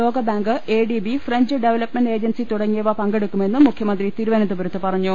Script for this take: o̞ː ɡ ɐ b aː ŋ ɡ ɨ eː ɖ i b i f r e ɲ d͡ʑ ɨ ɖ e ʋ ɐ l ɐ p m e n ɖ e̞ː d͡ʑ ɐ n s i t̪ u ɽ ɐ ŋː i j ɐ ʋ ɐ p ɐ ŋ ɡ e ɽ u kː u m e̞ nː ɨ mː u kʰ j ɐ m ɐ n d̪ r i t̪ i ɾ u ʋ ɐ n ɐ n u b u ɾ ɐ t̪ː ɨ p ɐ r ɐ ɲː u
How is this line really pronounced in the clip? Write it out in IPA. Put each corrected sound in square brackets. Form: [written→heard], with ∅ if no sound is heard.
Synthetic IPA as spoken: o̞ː ɡ ɐ b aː ŋ ɡ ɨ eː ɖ i b i f r e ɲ d͡ʑ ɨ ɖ e ʋ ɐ l ɐ p m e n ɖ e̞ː d͡ʑ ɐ n s i t̪ u ɽ ɐ ŋː i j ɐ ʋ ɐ p ɐ ŋ ɡ e ɽ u kː u m e̞ nː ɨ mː u kʰ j ɐ m ɐ n d̪ r i t̪ i ɾ u ʋ ɐ n ɐ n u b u ɾ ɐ t̪ː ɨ p ɐ r ɐ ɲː u